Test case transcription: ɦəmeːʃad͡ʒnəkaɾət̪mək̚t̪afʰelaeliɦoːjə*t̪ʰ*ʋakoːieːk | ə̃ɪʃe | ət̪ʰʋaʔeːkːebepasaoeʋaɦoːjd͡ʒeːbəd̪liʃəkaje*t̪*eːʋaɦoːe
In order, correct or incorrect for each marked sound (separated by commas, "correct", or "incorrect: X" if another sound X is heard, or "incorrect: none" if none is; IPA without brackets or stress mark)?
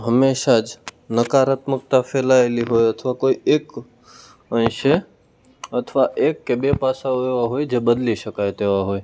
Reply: correct, correct